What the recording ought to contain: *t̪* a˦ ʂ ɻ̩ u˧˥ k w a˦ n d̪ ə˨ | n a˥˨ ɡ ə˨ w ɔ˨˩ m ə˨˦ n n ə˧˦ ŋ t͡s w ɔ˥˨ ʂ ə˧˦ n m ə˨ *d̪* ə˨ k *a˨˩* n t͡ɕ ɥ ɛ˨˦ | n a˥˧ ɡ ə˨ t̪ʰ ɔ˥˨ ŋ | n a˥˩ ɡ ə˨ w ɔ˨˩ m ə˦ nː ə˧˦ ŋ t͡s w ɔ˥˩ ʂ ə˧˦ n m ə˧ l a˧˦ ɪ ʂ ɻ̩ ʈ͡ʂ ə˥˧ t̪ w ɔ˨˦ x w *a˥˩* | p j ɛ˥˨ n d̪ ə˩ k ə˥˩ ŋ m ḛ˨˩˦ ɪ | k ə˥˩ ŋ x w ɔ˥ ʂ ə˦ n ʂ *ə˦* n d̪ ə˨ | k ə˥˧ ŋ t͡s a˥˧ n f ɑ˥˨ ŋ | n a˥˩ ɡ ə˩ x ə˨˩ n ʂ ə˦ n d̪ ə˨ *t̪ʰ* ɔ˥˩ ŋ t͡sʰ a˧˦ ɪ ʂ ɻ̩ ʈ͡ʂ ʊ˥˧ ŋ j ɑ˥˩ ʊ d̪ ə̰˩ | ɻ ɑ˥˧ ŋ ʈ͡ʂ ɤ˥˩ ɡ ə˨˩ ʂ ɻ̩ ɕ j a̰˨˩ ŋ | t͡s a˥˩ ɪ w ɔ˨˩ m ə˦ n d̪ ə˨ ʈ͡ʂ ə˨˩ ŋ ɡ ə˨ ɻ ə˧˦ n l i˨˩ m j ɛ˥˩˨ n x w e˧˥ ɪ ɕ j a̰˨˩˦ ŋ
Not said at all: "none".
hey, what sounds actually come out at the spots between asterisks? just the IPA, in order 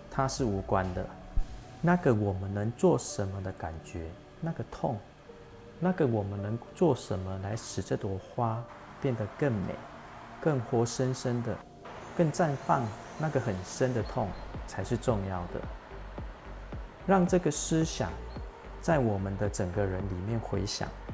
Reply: t̪ʰ, d̪, a˨˩, a˦, ə˦, t̪ʰ

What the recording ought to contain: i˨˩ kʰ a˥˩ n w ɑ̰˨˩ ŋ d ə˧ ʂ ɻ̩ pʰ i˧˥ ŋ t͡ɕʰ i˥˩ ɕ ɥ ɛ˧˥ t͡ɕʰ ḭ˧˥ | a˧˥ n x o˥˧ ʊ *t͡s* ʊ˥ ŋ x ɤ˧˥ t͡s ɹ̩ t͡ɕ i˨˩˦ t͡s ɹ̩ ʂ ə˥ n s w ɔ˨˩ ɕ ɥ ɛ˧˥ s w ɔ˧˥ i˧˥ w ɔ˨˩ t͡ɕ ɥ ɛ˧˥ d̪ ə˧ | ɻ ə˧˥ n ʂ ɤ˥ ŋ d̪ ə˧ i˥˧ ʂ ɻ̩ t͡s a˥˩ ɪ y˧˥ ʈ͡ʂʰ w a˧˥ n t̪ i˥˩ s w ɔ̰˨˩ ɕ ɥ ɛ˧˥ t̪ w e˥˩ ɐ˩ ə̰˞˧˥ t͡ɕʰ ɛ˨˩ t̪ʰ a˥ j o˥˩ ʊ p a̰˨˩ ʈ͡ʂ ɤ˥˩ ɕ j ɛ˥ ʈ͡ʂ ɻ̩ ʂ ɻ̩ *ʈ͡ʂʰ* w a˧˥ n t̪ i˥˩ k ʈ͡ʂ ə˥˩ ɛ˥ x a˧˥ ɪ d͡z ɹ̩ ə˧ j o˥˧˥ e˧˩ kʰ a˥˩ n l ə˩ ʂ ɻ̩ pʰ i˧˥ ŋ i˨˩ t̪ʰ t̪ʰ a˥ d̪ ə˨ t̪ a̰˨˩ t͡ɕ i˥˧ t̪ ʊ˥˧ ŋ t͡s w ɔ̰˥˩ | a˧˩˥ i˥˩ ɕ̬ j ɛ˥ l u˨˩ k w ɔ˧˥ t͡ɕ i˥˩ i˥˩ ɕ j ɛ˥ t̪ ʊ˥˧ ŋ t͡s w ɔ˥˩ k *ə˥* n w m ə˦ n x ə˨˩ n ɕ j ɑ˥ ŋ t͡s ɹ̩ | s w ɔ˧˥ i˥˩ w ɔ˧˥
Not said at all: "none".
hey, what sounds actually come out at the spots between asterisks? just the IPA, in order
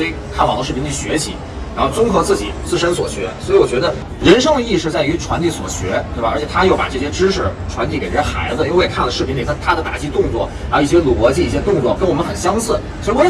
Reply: t͡s, ʈ͡ʂʰ, ə˥

